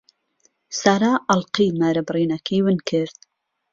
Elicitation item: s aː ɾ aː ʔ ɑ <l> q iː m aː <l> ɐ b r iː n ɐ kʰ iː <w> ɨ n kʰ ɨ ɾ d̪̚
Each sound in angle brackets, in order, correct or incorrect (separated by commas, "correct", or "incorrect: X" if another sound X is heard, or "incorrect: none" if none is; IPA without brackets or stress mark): correct, incorrect: ɾ, correct